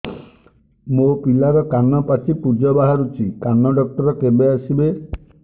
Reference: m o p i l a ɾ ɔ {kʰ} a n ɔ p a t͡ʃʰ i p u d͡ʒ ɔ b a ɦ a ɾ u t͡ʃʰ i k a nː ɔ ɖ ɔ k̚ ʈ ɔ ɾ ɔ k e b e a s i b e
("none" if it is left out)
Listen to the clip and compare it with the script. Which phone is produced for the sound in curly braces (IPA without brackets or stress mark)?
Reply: k